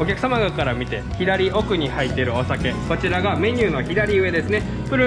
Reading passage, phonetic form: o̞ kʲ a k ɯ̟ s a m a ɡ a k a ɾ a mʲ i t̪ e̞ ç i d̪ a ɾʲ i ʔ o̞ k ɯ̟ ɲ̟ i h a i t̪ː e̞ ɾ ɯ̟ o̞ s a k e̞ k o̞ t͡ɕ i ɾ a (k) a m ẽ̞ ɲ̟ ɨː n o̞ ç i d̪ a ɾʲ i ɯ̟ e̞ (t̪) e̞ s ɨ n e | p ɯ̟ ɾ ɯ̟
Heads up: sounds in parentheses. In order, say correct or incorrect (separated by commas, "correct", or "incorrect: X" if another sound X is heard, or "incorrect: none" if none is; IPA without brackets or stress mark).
incorrect: ɡ, incorrect: d̪